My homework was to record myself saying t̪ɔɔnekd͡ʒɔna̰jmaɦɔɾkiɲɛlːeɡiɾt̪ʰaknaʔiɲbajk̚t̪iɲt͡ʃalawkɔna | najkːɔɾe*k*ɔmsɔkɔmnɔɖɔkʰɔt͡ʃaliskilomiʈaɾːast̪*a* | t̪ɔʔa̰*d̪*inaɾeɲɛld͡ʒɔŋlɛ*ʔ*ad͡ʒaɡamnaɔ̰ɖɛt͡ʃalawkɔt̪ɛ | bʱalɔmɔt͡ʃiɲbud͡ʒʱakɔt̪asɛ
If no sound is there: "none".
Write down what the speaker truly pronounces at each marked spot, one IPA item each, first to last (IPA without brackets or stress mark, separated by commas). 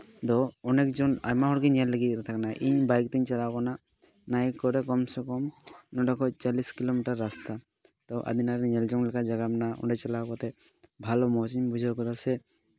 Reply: k, a, d̪, k